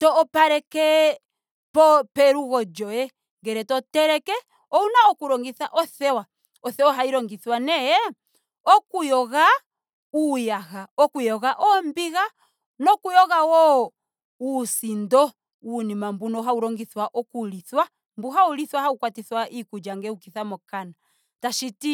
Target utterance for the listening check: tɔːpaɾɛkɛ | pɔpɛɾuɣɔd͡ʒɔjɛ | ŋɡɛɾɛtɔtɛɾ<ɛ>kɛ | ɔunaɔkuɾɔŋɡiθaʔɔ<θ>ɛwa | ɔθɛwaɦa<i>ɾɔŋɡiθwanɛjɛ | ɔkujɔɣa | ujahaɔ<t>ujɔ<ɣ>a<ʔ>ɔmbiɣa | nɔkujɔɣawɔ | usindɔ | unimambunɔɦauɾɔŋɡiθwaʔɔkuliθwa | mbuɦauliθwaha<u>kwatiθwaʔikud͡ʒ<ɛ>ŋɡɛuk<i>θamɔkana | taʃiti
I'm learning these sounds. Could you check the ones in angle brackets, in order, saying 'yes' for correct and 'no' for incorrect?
yes, yes, yes, no, yes, yes, yes, no, yes

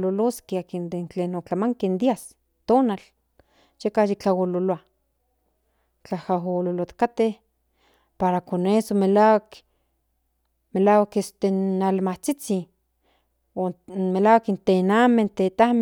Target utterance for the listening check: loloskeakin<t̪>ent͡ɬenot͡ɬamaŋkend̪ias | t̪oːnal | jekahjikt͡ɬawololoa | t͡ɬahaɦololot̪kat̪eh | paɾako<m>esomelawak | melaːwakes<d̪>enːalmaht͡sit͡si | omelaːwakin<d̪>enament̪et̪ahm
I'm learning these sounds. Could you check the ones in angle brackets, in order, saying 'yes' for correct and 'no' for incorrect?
no, no, no, no

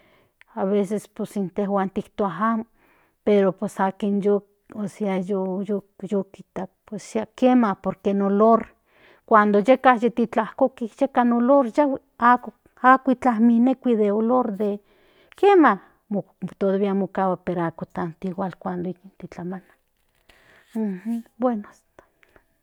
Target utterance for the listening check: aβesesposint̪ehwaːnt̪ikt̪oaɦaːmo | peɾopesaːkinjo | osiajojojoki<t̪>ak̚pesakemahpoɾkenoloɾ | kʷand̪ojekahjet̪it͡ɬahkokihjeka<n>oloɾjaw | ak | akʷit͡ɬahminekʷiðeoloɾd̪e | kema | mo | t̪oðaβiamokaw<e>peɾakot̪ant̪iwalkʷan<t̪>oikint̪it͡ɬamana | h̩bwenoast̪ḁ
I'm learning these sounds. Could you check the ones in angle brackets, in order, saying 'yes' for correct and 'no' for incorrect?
yes, yes, no, no

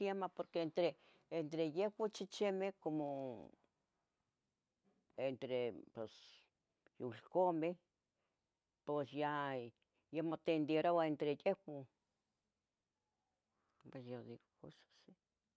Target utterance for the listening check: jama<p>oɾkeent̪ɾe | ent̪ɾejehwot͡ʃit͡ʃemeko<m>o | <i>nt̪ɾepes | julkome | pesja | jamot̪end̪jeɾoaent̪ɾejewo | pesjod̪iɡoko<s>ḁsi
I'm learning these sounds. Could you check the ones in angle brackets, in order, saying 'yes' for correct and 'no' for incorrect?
yes, yes, no, yes

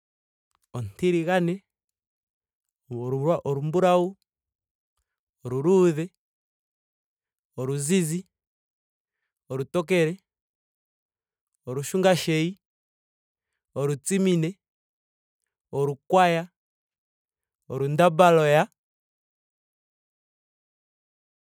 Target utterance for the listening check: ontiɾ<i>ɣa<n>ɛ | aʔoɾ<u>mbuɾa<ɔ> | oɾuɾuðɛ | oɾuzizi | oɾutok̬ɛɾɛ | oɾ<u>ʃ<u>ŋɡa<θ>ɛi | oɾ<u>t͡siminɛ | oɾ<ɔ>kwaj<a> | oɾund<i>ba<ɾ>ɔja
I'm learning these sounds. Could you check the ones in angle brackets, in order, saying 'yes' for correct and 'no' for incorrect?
yes, yes, yes, no, yes, yes, no, yes, no, yes, no, no

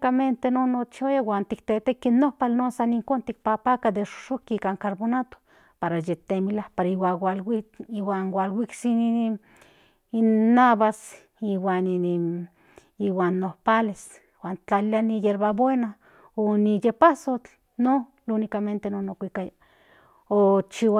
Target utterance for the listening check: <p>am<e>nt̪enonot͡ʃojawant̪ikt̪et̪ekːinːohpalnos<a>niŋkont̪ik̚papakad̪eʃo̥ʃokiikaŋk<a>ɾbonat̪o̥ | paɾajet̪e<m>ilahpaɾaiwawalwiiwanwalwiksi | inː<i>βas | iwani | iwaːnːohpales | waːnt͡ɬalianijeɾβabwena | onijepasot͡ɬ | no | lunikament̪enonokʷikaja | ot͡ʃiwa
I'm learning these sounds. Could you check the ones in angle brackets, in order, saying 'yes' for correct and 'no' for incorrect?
no, yes, yes, yes, yes, no

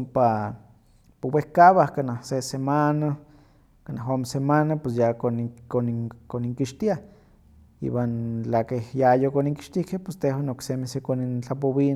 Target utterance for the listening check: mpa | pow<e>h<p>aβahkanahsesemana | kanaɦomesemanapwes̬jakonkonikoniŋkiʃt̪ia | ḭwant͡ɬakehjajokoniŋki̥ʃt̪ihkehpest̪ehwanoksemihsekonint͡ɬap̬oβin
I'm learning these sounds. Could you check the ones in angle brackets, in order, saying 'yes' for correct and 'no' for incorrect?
yes, no

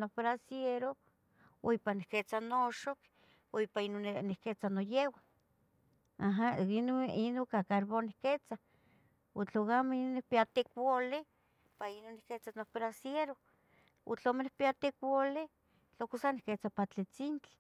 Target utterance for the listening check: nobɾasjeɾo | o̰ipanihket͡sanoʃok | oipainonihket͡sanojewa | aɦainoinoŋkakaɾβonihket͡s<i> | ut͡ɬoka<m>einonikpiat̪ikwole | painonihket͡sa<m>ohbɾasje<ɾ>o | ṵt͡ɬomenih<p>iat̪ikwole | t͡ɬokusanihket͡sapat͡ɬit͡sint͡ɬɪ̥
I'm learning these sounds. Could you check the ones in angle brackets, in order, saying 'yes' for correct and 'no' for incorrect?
no, yes, no, yes, yes

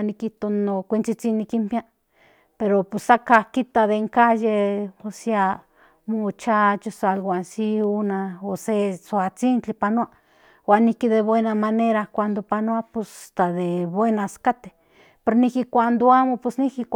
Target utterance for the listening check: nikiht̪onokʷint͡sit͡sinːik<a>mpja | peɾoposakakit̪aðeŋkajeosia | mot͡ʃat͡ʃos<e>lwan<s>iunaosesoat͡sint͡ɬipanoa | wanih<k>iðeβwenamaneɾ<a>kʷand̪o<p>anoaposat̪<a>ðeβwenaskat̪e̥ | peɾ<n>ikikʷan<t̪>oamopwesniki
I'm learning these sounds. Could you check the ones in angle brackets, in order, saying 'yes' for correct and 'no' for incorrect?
no, no, yes, yes, yes, yes, yes, yes, no

